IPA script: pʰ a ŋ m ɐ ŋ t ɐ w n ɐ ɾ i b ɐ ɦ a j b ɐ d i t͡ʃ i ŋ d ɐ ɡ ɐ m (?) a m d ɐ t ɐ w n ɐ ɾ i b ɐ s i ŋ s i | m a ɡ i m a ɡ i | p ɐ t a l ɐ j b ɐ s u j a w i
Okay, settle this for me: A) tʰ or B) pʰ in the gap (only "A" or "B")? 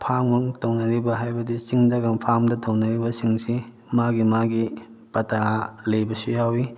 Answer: B